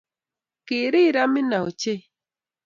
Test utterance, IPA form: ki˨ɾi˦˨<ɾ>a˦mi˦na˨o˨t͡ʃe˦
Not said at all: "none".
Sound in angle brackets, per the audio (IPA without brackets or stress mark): ɾ